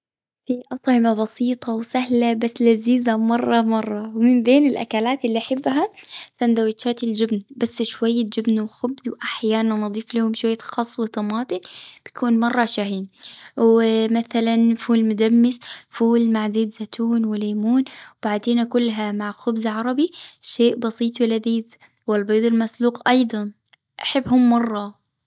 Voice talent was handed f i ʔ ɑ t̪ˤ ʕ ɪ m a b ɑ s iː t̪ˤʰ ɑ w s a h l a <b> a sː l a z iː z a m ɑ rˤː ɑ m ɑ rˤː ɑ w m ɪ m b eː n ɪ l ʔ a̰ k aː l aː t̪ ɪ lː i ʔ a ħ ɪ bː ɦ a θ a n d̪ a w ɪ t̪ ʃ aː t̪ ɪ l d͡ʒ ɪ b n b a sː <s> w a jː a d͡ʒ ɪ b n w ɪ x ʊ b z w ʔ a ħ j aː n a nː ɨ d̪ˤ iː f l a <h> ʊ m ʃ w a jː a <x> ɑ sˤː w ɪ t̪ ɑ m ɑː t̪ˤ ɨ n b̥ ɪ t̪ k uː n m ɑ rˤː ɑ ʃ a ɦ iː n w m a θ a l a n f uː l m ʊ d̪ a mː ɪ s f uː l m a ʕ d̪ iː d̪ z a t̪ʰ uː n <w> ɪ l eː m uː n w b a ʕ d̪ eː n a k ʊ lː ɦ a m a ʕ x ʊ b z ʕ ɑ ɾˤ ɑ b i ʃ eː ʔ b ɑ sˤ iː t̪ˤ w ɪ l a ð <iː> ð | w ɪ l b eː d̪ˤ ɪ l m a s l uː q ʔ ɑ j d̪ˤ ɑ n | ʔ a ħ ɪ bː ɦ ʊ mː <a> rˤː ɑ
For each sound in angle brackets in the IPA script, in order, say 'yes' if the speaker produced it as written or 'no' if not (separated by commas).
yes, no, yes, yes, yes, yes, no